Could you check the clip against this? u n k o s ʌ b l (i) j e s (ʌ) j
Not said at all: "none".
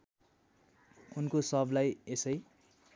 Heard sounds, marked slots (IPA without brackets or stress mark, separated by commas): a, ʌ